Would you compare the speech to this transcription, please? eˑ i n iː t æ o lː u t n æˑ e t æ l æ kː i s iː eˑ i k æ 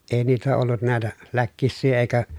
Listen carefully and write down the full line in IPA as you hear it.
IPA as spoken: eˑ i n iː t æ o lː u t n æˑ e t æ l æ kː i sː iː eˑ i k æ